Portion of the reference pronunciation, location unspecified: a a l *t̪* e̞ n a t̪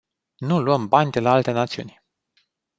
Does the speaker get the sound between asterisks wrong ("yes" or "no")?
no